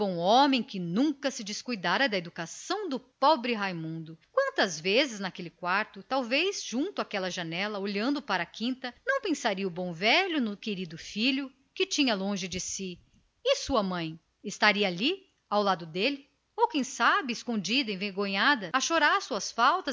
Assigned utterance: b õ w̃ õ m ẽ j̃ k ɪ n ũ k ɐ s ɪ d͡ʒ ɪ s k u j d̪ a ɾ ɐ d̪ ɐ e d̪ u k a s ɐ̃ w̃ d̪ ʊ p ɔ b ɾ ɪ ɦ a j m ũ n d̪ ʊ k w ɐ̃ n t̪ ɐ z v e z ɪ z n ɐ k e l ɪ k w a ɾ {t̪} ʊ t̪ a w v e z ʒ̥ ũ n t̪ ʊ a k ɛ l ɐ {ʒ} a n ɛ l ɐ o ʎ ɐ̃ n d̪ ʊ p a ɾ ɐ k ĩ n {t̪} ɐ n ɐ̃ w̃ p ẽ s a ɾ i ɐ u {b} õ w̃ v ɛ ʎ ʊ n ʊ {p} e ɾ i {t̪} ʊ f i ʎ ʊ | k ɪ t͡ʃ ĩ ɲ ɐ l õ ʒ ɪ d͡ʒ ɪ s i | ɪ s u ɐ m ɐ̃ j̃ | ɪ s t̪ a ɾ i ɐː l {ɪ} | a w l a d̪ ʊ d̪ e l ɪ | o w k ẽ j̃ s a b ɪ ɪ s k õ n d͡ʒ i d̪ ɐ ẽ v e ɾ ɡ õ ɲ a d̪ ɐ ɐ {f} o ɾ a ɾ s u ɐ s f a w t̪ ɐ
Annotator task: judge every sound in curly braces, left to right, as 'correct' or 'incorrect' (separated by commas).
correct, correct, correct, correct, incorrect, incorrect, incorrect, incorrect